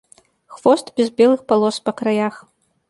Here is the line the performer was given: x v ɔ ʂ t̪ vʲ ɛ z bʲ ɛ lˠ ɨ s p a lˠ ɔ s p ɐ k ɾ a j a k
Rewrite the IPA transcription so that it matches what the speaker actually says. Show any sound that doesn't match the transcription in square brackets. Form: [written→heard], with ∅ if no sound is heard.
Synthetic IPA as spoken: x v ɔ [ʂ→s] t̪ [vʲ→bʲ] ɛ z bʲ ɛ lˠ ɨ [s→x] p a lˠ ɔ s p ɐ k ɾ a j a [k→x]

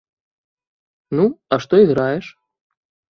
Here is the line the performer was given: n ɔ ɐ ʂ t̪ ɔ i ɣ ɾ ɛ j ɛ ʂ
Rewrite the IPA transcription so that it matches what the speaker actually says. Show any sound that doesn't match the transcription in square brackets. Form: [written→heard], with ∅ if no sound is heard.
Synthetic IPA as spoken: n [ɔ→u] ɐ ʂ t̪ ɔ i ɣ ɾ [ɛ→a] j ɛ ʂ

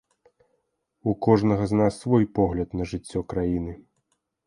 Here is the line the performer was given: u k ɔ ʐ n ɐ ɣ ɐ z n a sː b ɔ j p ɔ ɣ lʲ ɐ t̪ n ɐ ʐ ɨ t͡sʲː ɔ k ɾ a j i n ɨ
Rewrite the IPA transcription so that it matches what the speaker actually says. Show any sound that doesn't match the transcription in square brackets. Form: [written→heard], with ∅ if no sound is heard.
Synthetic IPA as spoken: u k ɔ ʐ n ɐ ɣ ɐ z n a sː [b→v] ɔ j p ɔ ɣ lʲ ɐ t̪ n ɐ ʐ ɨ t͡sʲː ɔ k ɾ a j i n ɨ

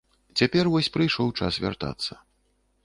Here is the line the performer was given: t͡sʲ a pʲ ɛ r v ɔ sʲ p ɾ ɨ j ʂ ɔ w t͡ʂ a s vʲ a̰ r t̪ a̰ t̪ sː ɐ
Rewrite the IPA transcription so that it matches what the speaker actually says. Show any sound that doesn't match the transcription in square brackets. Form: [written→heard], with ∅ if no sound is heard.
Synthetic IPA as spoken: t͡sʲ a pʲ ɛ r v ɔ sʲ p ɾ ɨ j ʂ ɔ w t͡ʂ a s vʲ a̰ r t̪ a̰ t̪ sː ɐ

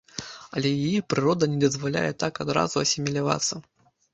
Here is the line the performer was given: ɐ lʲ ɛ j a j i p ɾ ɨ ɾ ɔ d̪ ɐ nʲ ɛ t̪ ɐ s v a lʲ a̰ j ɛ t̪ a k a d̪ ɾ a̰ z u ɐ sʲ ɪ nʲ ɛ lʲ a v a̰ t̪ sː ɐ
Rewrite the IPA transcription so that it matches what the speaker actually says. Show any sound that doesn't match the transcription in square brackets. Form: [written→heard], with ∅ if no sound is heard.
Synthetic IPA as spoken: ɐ lʲ ɛ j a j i p ɾ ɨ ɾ ɔ d̪ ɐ nʲ ɛ [t̪→d̪] ɐ [s→z] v a lʲ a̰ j ɛ t̪ a k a d̪ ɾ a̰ z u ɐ sʲ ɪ [nʲ→mʲ] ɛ lʲ a v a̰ t̪ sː ɐ

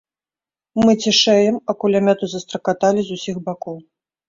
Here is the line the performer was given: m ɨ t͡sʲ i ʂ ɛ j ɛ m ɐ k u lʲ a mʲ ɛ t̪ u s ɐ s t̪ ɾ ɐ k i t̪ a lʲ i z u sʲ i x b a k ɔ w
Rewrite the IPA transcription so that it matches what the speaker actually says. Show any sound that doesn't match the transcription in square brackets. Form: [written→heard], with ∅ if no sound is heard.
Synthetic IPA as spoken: m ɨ t͡sʲ i ʂ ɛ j ɛ m ɐ k u lʲ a mʲ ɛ t̪ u [s→z] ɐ s t̪ ɾ ɐ k [i→a] t̪ a lʲ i z u sʲ i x b a k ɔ w

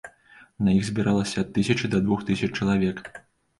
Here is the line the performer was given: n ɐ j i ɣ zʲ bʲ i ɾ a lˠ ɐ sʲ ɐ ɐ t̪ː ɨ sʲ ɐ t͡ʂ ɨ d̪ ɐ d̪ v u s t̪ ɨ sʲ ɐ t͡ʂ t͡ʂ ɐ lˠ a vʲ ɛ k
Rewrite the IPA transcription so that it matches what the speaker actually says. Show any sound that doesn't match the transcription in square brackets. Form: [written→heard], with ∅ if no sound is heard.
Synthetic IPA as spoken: n ɐ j i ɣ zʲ bʲ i ɾ a lˠ ɐ sʲ ɐ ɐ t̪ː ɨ sʲ ɐ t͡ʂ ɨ d̪ ɐ d̪ v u [s→x] t̪ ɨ sʲ ɐ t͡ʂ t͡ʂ ɐ lˠ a vʲ ɛ k

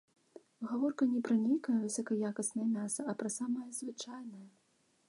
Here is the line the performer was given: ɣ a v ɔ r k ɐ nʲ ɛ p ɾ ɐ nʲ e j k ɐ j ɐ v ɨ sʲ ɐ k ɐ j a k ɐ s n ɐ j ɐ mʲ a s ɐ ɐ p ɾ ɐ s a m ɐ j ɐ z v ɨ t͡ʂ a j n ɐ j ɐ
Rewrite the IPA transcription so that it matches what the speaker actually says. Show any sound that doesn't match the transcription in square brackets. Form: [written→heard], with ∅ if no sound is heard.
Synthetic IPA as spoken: ɣ a v ɔ r k ɐ nʲ ɛ p ɾ ɐ nʲ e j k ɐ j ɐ v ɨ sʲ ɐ k ɐ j a k ɐ s n ɐ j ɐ mʲ a s ɐ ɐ p ɾ ɐ s a m ɐ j ɐ z v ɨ t͡ʂ a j n ɐ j ɐ

